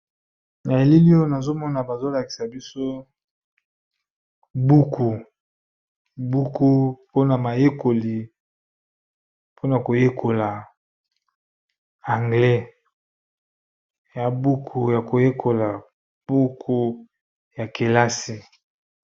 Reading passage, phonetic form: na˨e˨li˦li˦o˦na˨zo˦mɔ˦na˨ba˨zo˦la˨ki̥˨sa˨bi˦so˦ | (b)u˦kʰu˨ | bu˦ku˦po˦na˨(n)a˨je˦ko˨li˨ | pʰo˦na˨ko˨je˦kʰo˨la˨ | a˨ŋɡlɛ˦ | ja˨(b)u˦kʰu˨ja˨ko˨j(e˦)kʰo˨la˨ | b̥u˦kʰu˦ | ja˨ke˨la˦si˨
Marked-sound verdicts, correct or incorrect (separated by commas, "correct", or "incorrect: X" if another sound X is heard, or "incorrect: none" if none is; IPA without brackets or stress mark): correct, incorrect: m, correct, correct